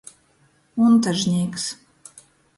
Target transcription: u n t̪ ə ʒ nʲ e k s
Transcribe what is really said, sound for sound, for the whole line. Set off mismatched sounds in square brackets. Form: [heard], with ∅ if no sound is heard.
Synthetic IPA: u n t̪ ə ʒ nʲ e k s